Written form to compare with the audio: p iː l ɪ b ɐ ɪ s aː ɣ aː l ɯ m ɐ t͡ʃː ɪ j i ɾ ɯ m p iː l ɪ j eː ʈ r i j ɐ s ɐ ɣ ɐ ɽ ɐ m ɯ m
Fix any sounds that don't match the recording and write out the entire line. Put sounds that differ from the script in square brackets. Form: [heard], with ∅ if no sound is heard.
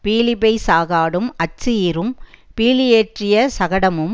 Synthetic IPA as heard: p iː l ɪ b ɐ ɪ s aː ɣ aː [ɽ] ɯ m ɐ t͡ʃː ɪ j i ɾ ɯ m p iː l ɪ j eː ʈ r [ɪ] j ɐ s ɐ ɣ ɐ ɽ ɐ m ɯ m